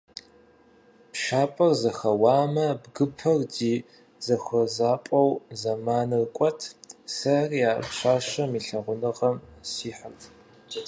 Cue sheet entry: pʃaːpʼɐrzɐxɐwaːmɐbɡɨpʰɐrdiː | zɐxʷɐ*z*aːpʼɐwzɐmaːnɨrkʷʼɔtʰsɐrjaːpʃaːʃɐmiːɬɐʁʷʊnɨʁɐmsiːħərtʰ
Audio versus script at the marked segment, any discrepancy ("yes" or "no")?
no